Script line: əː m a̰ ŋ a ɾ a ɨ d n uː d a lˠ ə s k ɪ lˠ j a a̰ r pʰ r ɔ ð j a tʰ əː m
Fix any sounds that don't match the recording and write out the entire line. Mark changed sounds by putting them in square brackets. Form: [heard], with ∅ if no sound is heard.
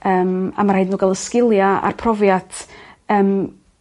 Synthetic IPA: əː m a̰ [m] a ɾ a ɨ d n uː [ɡ] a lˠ ə s k ɪ lˠ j a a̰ r pʰ r ɔ [v] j a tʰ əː m